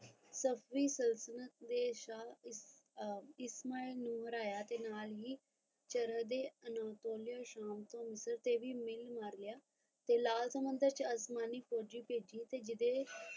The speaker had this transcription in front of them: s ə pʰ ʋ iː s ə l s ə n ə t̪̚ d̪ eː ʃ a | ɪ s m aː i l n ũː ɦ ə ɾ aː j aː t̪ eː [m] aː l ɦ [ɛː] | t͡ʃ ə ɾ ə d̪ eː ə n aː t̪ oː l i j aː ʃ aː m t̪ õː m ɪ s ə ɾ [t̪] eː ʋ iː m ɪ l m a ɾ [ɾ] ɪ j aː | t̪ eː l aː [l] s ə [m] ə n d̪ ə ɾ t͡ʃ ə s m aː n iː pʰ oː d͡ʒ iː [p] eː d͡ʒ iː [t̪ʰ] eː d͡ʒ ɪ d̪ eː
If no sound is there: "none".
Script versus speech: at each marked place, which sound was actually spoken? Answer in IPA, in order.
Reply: n, iː, t̪, l, l, m, p, t̪

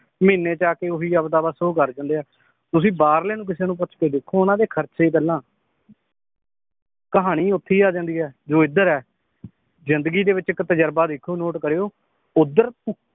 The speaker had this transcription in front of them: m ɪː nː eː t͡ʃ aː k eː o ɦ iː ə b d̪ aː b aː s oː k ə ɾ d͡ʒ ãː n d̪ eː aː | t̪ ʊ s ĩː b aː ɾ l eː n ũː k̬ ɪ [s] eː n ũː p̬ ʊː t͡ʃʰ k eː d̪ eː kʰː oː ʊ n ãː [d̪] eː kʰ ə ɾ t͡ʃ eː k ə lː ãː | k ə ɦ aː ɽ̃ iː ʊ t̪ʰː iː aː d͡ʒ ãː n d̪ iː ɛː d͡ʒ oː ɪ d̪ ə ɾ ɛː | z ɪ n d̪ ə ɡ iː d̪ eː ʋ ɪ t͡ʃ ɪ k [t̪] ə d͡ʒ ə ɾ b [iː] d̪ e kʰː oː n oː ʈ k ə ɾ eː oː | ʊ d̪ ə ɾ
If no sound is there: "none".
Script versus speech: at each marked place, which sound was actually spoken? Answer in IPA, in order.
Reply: s, d̪, t̪, aː

